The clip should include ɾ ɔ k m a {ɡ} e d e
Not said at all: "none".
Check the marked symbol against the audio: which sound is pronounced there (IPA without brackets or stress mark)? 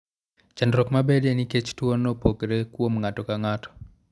b